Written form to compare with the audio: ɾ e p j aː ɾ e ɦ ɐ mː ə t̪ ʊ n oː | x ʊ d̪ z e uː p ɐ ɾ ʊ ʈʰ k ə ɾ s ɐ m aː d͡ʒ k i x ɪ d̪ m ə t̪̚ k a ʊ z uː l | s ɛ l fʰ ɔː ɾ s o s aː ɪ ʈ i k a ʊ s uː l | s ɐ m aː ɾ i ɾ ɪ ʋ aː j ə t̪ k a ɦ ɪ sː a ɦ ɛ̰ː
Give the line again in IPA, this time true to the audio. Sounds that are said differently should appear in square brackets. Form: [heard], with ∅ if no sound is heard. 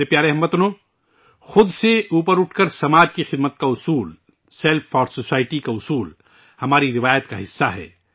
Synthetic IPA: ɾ e p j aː ɾ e ɦ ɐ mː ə t̪ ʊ n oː | x ʊ d̪ [s] e uː p [ə] ɾ ʊ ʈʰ k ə ɾ s ɐ m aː d͡ʒ k i x ɪ d̪ m ə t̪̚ k a ʊ [s] uː l | s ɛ l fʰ ɔː ɾ s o s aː ɪ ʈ i k a ʊ s uː l | [h] ɐ m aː ɾ i ɾ ɪ ʋ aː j ə t̪ k a ɦ ɪ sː a ɦ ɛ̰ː